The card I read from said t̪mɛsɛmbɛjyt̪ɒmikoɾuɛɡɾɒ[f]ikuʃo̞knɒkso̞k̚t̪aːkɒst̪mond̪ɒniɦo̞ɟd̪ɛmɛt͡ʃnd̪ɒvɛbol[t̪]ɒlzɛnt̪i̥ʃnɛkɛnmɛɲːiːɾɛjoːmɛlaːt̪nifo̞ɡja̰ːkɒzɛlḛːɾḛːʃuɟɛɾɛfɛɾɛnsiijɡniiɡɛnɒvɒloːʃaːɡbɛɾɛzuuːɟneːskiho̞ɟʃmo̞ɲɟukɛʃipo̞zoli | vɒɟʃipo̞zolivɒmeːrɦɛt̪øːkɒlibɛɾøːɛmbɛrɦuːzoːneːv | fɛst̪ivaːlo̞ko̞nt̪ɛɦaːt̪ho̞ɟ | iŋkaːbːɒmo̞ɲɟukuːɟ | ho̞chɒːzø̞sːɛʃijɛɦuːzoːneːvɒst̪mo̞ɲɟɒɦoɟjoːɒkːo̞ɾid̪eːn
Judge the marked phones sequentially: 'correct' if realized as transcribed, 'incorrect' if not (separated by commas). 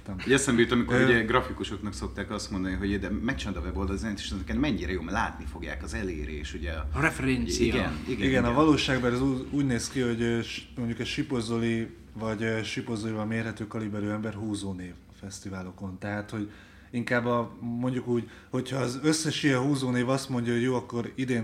correct, incorrect